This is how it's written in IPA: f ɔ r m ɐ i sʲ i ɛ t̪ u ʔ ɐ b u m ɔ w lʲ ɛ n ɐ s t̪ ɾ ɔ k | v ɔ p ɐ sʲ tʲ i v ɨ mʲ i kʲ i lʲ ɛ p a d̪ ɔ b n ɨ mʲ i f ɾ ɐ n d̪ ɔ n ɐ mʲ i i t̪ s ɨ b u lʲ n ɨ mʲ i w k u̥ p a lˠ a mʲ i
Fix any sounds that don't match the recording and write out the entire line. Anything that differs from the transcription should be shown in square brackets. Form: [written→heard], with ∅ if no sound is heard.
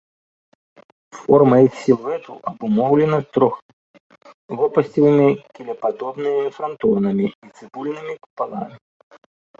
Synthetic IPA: f ɔ r m ɐ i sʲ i ɛ t̪ u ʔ ɐ b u m ɔ w lʲ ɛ n ɐ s t̪ ɾ ɔ [k→x] | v ɔ p ɐ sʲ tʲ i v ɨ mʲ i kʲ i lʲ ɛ p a d̪ ɔ b n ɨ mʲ i f ɾ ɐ n [d̪→t̪] ɔ n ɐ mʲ i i t̪ s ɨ b u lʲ n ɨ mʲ i [w→∅] k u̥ p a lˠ a mʲ i

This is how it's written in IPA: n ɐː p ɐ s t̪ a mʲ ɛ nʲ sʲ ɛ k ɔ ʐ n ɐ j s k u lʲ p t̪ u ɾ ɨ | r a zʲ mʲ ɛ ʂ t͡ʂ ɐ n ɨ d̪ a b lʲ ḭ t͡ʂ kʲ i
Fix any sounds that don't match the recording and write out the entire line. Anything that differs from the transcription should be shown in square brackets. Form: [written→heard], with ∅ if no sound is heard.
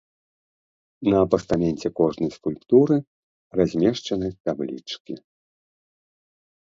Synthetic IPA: n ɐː p ɐ s t̪ a mʲ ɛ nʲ [sʲ→t͡sʲ] ɛ k ɔ ʐ n ɐ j s k u lʲ p t̪ u ɾ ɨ | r a zʲ mʲ ɛ ʂ t͡ʂ ɐ n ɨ [d̪→t̪] a b lʲ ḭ t͡ʂ kʲ i

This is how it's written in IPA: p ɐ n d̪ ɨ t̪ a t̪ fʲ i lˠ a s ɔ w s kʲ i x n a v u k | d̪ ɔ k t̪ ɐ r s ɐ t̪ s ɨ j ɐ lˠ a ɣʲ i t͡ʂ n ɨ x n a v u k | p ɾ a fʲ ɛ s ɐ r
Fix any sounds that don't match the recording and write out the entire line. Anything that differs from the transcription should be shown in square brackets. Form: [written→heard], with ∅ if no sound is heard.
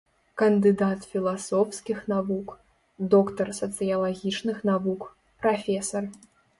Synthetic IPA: [p→k] ɐ n d̪ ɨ [t̪→d̪] a t̪ fʲ i lˠ a s ɔ w s kʲ i x n a v u k | d̪ ɔ k t̪ ɐ r s ɐ t̪ s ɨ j ɐ lˠ a ɣʲ i t͡ʂ n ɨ x n a v u k | p ɾ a fʲ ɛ s ɐ r

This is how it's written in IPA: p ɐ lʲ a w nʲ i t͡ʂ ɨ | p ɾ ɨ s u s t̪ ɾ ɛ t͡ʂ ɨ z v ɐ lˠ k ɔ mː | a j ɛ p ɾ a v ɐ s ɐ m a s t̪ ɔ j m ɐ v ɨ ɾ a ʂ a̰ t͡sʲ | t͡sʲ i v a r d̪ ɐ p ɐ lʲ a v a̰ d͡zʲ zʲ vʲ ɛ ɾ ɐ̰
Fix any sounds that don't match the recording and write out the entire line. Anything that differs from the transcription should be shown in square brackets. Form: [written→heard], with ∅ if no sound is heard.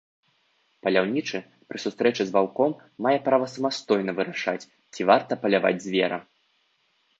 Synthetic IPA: p ɐ lʲ a w nʲ i t͡ʂ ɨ | p ɾ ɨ s u s t̪ ɾ ɛ t͡ʂ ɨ z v [ɐ→a] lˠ k ɔ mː | a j ɛ p ɾ a v ɐ s ɐ m a s t̪ ɔ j [m→n] ɐ v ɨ ɾ a ʂ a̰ t͡sʲ | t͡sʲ i v a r [d̪→t̪] ɐ p ɐ lʲ a v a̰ d͡zʲ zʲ vʲ ɛ ɾ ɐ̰

